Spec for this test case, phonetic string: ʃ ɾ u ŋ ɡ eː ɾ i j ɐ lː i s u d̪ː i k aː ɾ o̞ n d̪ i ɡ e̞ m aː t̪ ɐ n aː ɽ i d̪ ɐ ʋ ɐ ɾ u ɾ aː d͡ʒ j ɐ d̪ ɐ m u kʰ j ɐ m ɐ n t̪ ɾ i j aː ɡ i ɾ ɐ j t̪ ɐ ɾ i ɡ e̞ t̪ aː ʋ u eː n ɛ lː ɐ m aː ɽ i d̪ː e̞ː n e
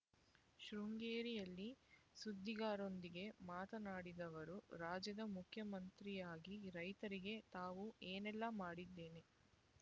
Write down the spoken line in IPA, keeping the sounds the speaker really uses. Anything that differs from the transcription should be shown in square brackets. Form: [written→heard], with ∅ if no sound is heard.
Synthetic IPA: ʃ ɾ u ŋ ɡ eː ɾ i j ɐ lː i s u d̪ː i [k→ɡ] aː ɾ o̞ n d̪ i ɡ e̞ m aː t̪ ɐ n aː ɽ i d̪ ɐ ʋ ɐ ɾ u ɾ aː d͡ʒ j ɐ d̪ ɐ m u kʰ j ɐ m ɐ n t̪ ɾ i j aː ɡ i ɾ ɐ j t̪ ɐ ɾ i ɡ e̞ t̪ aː ʋ u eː n ɛ lː ɐ m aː ɽ i d̪ː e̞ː n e

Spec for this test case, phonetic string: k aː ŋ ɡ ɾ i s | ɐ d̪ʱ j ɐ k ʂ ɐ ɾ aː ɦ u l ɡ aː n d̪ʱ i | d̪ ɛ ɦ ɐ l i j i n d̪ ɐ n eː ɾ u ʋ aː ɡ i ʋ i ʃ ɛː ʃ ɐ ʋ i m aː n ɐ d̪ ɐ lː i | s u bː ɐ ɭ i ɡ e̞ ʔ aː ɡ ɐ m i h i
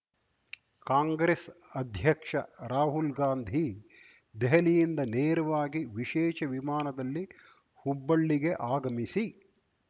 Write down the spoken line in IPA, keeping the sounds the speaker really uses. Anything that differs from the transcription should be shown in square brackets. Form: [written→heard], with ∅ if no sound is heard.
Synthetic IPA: k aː ŋ ɡ ɾ [i→e] s | ɐ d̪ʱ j ɐ k ʂ ɐ ɾ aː ɦ u l ɡ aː n d̪ʱ i | d̪ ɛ ɦ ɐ l i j i n d̪ ɐ n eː ɾ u ʋ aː ɡ i ʋ i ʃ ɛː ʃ ɐ ʋ i m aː n ɐ d̪ ɐ lː i | [s→h] u bː ɐ [ɭ→ɭː] i ɡ e̞ ʔ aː ɡ ɐ m i [h→s] i

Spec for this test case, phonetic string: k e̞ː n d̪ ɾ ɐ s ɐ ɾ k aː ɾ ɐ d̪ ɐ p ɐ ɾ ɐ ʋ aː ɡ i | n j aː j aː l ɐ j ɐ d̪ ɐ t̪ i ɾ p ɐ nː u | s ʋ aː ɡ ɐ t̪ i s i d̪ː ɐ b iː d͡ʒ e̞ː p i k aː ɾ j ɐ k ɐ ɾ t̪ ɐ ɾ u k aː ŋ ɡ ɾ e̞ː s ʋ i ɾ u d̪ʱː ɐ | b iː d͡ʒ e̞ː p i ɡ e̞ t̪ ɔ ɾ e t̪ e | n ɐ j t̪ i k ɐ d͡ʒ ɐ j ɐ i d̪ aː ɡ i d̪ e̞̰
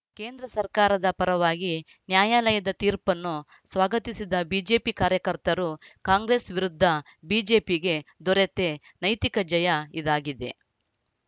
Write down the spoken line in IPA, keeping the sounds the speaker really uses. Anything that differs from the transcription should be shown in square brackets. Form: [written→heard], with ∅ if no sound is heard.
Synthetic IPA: k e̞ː n d̪ ɾ ɐ s ɐ ɾ k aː ɾ ɐ d̪ ɐ p ɐ ɾ ɐ ʋ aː ɡ i | n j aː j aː l ɐ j ɐ d̪ ɐ t̪ [i→iː] ɾ p ɐ nː u | s ʋ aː ɡ ɐ t̪ i s i [d̪ː→d̪] ɐ b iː d͡ʒ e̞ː p i k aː ɾ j ɐ k ɐ ɾ t̪ ɐ ɾ u k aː ŋ ɡ ɾ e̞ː s ʋ i ɾ u d̪ʱː ɐ | b iː d͡ʒ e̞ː p i ɡ e̞ [t̪→d̪] ɔ ɾ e t̪ e | n ɐ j t̪ i k ɐ d͡ʒ ɐ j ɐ i d̪ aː ɡ i d̪ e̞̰

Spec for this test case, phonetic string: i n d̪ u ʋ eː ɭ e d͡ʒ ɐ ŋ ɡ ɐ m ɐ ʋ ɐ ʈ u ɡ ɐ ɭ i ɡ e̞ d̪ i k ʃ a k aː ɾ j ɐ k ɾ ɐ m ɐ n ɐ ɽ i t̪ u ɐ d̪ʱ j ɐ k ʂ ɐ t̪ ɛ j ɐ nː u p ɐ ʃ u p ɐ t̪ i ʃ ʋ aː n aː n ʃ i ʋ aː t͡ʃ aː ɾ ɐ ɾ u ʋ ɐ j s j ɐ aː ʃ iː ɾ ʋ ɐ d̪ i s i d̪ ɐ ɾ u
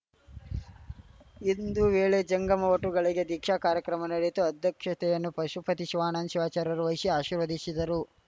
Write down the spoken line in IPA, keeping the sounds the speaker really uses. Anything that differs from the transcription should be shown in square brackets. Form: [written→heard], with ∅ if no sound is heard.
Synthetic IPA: i n d̪ u ʋ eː ɭ e d͡ʒ ɐ ŋ ɡ ɐ m ɐ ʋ ɐ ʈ u ɡ ɐ ɭ i ɡ e̞ d̪ i k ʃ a k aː ɾ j ɐ k ɾ ɐ m ɐ n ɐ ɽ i t̪ u ɐ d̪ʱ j ɐ k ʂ ɐ t̪ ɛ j ɐ nː u p ɐ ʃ u p ɐ t̪ i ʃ ʋ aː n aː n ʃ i ʋ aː t͡ʃ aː ɾ ɐ ɾ u ʋ ɐ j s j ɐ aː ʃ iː ɾ ʋ ɐ d̪ i s i d̪ ɐ ɾ u

